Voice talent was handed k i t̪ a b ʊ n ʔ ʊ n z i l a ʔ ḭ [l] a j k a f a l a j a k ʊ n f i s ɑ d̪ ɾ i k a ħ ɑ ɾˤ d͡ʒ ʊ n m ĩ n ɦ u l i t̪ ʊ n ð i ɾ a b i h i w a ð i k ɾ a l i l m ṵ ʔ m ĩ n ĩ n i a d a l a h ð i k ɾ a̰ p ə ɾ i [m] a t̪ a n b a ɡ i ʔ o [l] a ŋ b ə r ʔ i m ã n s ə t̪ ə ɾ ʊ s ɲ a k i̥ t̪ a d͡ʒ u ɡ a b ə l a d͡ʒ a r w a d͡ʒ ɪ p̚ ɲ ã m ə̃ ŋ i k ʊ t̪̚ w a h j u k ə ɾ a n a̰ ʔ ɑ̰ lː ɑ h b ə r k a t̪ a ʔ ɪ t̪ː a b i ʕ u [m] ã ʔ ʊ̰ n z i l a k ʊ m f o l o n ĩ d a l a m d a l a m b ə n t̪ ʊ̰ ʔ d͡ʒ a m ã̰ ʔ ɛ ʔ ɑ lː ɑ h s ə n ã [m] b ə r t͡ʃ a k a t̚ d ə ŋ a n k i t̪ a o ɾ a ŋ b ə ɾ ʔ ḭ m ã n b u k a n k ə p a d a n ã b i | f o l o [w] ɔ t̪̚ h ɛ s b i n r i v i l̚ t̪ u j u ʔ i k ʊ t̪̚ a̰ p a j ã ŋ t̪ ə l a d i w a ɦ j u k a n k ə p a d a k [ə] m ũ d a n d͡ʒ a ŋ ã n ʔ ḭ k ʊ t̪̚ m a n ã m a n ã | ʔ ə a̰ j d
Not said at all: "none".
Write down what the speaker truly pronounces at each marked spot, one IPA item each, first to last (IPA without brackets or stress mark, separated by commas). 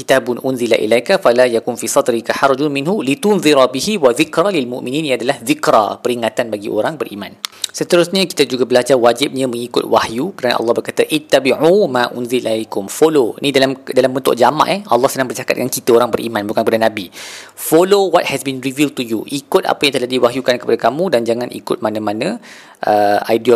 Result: l, ŋ, ɾ, m, ŋ, w, a